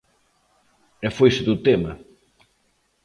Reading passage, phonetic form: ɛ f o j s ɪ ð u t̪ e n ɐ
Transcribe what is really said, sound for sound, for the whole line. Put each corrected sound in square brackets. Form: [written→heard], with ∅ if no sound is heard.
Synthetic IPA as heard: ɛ f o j s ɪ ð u t̪ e [n→m] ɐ